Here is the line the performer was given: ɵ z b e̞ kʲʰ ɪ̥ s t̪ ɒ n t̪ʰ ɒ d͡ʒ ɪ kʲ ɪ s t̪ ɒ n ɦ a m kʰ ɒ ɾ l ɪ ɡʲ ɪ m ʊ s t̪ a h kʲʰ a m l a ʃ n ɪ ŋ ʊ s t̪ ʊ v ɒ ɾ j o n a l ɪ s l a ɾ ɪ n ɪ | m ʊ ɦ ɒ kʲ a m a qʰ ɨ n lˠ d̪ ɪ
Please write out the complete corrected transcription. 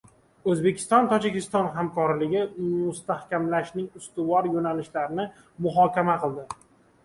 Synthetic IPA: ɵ z b e̞ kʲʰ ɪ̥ s t̪ ɒ n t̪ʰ ɒ d͡ʒ ɪ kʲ ɪ s t̪ ɒ n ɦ a m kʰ ɒ ɾ l ɪ ɡʲ ɪ m ʊ s t̪ a h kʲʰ a m l a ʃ n ɪ ŋ ʊ s t̪ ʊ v ɒ ɾ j o n a l ɪ ʃ l a ɾ ɪ n ɪ | m ʊ ɦ ɒ kʲ a m a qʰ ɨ lˠ d̪ ɪ